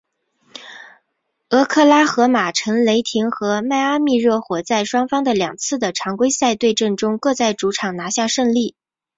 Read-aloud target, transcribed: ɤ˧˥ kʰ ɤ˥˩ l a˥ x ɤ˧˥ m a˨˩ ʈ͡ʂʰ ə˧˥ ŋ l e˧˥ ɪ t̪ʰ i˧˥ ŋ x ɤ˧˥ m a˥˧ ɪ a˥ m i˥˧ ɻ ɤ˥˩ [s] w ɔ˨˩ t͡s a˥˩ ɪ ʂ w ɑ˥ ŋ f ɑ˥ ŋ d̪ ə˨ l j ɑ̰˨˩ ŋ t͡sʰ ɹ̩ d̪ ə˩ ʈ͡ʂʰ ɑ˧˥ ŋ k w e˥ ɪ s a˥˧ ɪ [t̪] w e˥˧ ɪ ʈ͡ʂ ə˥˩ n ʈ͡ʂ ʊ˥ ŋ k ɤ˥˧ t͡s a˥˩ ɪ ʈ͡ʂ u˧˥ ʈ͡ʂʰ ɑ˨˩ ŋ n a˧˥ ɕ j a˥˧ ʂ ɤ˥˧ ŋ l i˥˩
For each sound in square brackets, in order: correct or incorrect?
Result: incorrect, correct

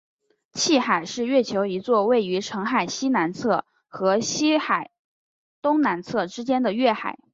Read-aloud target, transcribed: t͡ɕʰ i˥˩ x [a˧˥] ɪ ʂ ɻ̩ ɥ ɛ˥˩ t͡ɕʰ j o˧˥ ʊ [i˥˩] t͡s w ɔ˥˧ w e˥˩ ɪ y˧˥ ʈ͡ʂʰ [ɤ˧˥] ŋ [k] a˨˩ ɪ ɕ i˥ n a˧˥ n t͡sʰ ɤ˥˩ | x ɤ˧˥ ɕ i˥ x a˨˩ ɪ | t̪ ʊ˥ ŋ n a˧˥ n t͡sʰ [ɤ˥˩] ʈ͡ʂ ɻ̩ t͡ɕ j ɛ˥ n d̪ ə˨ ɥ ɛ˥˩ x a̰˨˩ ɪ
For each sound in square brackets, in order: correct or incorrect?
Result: incorrect, incorrect, correct, incorrect, correct

